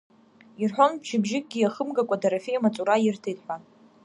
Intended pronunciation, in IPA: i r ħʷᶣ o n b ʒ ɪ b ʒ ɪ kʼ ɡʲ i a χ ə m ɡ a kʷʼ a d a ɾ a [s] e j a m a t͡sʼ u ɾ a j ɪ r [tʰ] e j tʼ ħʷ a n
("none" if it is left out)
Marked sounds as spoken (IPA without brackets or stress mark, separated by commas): f, tʰ